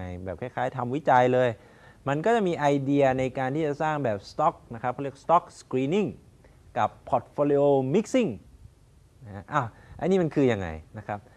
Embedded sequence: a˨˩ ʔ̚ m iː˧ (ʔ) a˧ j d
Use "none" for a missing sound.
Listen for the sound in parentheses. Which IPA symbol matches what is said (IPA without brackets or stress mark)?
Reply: ʔ